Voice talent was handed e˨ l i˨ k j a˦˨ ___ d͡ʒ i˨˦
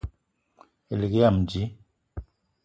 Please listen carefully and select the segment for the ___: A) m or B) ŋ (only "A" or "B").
A